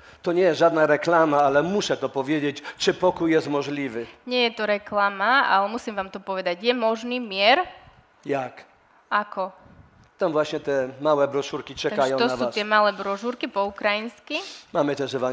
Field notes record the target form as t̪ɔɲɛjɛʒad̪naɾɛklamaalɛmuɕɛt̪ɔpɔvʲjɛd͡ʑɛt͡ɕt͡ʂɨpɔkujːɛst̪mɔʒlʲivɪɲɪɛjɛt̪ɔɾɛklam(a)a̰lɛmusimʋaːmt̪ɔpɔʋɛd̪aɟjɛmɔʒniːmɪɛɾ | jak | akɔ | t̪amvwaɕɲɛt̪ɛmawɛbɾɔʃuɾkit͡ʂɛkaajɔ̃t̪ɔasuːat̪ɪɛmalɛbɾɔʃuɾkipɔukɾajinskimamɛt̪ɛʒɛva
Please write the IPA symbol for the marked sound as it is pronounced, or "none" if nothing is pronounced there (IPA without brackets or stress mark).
a